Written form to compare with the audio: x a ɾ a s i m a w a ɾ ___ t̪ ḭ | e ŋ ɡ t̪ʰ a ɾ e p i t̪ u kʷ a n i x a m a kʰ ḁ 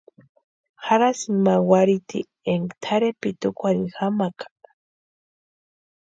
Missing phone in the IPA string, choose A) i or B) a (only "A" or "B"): A